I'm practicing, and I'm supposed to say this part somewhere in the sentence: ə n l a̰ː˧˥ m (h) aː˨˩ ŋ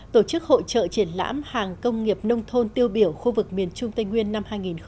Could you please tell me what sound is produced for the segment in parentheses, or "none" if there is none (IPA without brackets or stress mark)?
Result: h